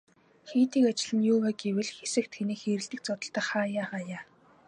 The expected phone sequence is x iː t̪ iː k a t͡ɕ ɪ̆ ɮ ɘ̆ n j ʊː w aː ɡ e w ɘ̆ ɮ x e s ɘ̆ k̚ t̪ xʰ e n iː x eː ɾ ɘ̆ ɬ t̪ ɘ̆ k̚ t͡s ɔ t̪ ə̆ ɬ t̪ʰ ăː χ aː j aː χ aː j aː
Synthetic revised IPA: x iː t̪ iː k a t͡ɕ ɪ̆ ɮ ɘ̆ n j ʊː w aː ɡ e w ɘ̆ ɮ x e s ɘ̆ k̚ t̪ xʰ e n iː x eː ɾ ɘ̆ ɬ t̪ ɘ̆ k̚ t͡s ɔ t̪ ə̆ ɬ t̪ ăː χ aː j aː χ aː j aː